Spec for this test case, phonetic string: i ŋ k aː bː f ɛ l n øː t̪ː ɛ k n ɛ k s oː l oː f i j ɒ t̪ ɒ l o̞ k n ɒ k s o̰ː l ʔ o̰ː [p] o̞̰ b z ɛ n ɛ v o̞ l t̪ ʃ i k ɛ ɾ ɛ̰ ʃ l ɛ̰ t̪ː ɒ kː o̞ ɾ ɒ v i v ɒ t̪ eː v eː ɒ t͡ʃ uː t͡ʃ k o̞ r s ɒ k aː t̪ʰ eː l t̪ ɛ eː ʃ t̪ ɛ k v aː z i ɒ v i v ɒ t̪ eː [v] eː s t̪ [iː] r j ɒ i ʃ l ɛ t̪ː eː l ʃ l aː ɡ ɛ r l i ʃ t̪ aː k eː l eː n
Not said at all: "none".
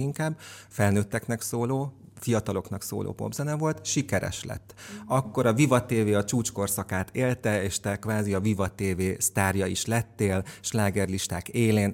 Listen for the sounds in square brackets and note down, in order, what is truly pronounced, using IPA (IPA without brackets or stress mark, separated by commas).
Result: p, v, aː